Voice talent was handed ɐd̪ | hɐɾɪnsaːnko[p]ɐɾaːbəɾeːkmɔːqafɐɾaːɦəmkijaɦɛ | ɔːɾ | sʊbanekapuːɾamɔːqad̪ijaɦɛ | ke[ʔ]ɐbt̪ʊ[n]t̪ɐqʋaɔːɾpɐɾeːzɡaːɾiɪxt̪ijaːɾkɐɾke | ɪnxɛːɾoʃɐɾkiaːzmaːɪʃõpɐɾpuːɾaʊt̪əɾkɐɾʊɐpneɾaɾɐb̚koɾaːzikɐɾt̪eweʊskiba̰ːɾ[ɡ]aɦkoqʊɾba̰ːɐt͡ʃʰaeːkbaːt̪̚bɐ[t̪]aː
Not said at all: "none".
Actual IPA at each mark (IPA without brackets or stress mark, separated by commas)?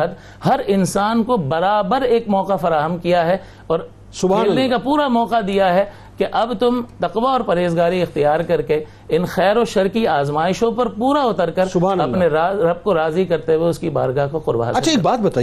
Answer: b, ʔ, m, ɡ, t̪